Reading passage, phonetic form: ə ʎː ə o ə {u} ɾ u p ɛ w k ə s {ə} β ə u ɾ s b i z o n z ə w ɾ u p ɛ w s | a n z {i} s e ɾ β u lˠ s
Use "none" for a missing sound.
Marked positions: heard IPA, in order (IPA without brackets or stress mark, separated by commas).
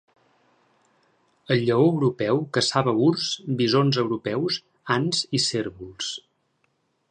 w, a, i